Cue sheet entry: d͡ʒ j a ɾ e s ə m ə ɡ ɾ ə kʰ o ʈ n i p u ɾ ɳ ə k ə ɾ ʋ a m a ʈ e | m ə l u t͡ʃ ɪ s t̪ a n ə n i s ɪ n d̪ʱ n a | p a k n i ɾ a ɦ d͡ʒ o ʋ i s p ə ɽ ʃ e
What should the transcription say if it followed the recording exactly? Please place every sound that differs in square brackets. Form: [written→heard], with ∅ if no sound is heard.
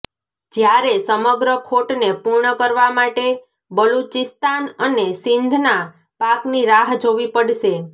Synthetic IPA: d͡ʒ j a ɾ e s ə m ə ɡ ɾ ə kʰ o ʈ n [i→e] p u ɾ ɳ ə k ə ɾ ʋ a m a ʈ e | [m→b] ə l u t͡ʃ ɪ s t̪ a n ə n [i→e] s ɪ n d̪ʱ n a | p a k n i ɾ a ɦ d͡ʒ o ʋ i [s→∅] p ə ɽ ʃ e